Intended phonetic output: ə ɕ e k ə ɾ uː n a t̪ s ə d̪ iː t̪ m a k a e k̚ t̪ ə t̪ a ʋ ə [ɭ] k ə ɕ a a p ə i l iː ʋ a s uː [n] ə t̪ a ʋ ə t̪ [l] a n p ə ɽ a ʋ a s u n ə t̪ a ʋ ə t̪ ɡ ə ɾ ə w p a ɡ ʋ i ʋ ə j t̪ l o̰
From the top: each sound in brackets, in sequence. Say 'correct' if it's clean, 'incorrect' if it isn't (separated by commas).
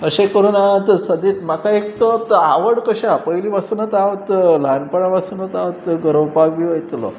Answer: incorrect, correct, correct